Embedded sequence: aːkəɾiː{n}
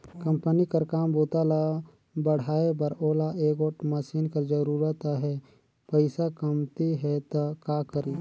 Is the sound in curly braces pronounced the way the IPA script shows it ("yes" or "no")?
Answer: no